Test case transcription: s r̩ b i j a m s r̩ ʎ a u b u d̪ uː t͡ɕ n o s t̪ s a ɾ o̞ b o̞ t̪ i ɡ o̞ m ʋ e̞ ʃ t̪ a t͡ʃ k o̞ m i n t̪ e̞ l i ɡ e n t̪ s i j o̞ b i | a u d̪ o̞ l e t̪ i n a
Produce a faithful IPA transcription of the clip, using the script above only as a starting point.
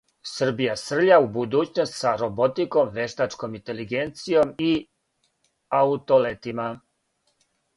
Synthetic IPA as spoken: s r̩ b i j a s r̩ ʎ a u b u d̪ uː t͡ɕ n o s t̪ s a ɾ o̞ b o̞ t̪ i k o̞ m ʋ e̞ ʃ t̪ a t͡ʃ k o̞ m i n t̪ e̞ l i ɡ e n t̪ s i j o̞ m i | a u t̪ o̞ l e t̪ i m a